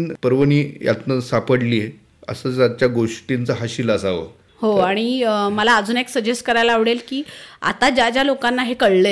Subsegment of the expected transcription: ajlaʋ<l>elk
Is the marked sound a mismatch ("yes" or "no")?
yes